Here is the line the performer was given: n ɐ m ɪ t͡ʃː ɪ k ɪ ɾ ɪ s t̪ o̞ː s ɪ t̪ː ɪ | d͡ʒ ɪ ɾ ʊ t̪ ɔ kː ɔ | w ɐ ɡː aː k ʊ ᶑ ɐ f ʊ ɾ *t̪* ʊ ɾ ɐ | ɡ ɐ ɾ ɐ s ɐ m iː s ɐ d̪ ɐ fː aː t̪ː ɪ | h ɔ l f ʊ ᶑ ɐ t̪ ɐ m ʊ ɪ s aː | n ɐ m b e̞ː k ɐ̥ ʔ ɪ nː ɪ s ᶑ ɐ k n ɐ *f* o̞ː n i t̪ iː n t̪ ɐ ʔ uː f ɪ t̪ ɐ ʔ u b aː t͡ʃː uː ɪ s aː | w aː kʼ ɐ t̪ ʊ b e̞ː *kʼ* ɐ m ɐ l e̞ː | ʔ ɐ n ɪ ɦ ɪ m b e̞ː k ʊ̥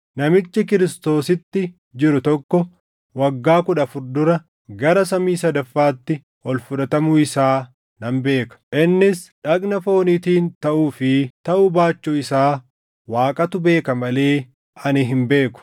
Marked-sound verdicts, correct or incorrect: incorrect: d̪, correct, incorrect: k

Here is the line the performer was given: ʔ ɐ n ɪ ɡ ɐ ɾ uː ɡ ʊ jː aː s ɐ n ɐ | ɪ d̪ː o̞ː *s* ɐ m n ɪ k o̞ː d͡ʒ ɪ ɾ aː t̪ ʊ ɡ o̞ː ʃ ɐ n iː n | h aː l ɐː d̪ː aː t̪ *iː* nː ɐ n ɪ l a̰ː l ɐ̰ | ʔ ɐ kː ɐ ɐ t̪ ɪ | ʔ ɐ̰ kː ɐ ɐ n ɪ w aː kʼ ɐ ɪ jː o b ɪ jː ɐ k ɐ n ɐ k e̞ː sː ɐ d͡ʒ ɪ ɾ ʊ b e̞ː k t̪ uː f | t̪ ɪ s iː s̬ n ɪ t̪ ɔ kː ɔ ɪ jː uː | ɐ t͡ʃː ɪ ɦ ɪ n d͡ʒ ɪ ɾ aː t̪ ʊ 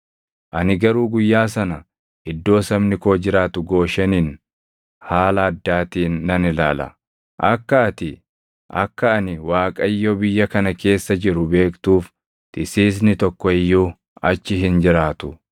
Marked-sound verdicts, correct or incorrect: correct, correct

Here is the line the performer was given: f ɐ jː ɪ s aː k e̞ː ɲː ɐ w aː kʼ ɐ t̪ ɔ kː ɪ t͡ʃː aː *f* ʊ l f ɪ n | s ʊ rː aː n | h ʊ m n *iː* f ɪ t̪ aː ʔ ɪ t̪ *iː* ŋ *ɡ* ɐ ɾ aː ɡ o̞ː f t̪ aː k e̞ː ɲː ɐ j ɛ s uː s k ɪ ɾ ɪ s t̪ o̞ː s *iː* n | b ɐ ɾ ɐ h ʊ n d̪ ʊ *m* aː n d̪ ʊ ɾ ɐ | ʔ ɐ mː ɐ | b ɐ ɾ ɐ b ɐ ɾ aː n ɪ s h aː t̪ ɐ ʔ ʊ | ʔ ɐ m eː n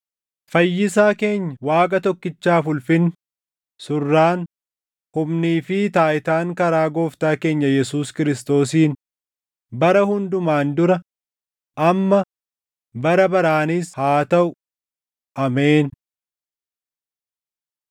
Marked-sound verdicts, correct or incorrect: correct, correct, incorrect: aː, incorrect: k, correct, correct

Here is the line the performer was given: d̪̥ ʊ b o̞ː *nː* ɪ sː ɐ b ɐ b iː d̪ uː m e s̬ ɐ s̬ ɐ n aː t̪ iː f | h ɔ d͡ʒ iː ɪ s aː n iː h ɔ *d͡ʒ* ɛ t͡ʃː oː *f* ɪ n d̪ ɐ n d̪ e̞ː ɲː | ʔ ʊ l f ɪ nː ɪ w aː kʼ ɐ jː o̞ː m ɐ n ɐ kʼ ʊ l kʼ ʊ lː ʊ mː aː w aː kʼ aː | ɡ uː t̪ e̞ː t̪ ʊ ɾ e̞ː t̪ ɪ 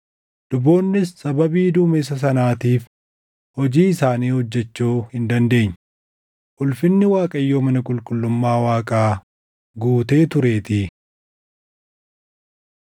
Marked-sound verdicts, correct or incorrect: correct, incorrect: d͡ʒː, incorrect: h

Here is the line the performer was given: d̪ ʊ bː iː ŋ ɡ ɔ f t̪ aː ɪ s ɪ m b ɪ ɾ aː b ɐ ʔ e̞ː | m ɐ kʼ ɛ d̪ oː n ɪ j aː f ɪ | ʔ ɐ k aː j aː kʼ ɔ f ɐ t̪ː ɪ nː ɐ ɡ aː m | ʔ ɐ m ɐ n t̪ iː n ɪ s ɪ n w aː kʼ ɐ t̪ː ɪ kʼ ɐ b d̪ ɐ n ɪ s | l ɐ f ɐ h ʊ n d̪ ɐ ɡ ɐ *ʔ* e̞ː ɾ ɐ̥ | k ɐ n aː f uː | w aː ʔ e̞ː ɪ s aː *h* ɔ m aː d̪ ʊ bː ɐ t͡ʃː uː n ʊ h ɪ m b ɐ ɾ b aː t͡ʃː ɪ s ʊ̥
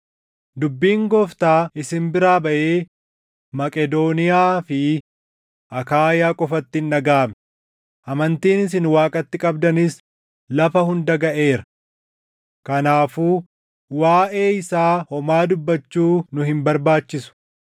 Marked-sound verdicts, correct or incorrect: correct, correct

